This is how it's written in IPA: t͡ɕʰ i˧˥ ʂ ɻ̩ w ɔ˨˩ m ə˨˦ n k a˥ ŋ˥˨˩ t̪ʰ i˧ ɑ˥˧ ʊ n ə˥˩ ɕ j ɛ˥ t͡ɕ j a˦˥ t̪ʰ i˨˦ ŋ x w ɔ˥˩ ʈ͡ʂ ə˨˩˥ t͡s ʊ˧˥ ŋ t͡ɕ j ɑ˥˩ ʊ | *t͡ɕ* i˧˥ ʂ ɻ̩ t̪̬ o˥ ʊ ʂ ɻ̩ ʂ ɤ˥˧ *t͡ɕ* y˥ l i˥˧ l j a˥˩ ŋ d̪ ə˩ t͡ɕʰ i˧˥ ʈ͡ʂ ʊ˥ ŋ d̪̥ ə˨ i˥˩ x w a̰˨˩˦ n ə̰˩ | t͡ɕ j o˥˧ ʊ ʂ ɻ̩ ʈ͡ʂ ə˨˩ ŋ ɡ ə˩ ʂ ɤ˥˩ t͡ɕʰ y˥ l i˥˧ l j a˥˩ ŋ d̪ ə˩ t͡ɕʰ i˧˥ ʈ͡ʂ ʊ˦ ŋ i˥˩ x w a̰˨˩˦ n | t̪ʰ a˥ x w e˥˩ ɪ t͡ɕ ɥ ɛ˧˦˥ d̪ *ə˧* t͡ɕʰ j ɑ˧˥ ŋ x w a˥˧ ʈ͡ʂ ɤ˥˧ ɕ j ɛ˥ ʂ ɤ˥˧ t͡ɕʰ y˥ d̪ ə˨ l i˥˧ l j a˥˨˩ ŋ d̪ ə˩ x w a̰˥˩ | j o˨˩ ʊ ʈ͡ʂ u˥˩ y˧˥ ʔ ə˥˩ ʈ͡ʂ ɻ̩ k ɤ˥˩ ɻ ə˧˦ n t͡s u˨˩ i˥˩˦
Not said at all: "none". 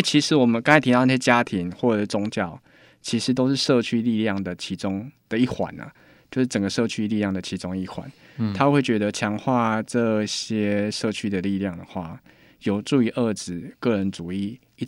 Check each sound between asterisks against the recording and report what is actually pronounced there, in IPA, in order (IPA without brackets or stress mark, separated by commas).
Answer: t͡ɕʰ, t͡ɕʰ, ə˧